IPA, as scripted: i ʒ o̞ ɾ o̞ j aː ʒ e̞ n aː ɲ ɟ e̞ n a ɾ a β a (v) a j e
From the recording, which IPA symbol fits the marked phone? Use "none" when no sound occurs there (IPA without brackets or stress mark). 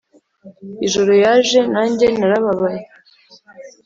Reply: β